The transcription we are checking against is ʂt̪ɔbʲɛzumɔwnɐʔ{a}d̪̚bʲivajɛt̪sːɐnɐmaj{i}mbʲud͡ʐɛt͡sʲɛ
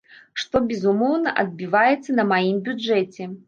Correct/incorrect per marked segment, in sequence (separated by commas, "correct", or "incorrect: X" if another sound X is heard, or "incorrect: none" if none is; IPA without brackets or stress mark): incorrect: ɐ, correct